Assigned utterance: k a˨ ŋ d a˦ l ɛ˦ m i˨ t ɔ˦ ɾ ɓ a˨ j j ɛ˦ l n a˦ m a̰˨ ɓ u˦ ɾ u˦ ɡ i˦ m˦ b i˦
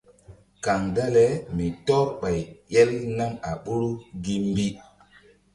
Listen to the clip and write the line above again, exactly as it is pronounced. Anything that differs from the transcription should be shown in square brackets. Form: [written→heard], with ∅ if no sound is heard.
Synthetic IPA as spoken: k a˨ ŋ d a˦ l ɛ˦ m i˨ t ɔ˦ ɾ ɓ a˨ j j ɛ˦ l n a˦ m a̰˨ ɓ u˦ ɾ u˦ ɡ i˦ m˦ b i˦